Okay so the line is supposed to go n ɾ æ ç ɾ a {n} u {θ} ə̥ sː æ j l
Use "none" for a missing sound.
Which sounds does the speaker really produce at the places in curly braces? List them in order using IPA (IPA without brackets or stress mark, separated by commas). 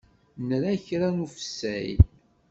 n, f